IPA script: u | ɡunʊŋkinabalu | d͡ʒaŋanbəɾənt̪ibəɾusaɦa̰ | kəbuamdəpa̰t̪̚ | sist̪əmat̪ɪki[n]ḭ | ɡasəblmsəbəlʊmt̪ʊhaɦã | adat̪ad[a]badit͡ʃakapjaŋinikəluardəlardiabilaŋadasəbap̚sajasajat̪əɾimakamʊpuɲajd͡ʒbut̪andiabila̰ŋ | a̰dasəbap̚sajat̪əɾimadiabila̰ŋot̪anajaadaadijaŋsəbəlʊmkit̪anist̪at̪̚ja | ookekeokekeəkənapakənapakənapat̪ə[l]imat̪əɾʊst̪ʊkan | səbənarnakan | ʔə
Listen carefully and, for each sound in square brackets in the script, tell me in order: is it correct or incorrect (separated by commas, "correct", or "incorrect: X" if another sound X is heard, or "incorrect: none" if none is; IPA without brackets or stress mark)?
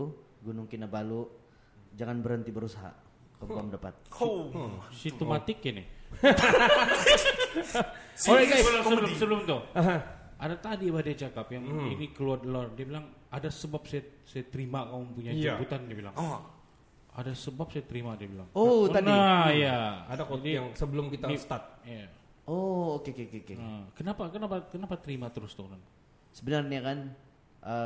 correct, incorrect: i, incorrect: ɾ